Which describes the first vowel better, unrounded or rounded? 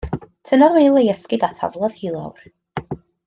unrounded